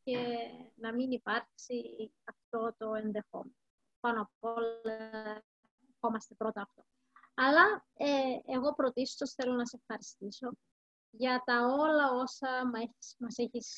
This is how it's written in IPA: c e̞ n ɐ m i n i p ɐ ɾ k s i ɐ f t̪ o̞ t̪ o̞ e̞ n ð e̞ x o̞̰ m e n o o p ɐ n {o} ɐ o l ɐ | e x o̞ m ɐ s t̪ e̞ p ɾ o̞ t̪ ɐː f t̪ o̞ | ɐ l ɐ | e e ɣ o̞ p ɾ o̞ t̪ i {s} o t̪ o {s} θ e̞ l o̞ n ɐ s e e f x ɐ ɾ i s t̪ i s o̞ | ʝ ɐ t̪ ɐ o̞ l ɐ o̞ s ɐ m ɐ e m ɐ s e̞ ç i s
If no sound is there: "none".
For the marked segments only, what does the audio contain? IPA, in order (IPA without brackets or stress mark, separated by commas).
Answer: o, s, s